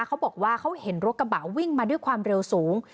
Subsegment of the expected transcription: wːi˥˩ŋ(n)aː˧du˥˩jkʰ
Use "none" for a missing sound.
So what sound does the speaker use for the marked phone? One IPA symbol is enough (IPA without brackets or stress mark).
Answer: m